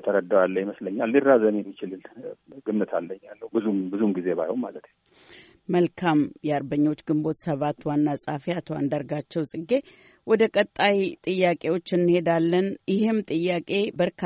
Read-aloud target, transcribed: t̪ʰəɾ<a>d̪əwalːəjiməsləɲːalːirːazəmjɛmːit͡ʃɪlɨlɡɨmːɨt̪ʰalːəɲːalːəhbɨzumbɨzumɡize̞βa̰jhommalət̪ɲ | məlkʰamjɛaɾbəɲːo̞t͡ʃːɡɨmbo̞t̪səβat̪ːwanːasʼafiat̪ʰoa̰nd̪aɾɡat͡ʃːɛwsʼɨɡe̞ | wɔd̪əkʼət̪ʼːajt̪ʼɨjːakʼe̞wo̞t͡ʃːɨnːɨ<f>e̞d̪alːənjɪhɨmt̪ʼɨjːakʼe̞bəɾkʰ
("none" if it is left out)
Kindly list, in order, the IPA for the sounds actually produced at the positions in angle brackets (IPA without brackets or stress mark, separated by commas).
ə, h